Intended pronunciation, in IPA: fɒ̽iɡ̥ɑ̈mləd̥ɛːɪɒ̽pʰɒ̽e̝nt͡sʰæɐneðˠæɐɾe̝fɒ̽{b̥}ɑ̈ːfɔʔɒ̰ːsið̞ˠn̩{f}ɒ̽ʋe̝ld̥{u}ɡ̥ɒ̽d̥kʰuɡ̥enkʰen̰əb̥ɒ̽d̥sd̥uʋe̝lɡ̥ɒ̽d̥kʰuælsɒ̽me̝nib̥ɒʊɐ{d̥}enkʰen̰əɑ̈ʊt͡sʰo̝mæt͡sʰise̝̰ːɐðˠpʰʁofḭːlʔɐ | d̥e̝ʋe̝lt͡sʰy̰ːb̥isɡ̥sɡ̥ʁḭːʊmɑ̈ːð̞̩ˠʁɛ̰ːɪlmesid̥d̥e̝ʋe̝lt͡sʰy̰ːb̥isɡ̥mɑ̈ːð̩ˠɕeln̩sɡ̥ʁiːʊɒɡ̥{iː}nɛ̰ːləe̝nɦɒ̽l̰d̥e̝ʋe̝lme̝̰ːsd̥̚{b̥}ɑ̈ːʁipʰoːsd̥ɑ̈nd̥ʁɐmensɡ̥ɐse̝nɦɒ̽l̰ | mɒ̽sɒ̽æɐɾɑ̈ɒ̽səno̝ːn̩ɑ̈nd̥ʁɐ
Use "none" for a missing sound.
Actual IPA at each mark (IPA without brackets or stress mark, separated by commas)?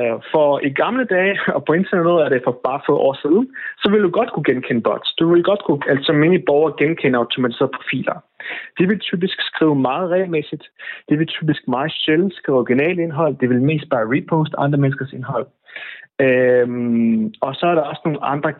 b̥, s, u, ɡ̥, i, b̥